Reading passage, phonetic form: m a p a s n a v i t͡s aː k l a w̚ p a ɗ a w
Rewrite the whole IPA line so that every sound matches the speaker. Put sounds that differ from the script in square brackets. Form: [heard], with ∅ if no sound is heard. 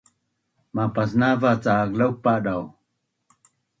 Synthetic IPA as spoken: m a p a s n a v [a] t͡s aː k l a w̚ p a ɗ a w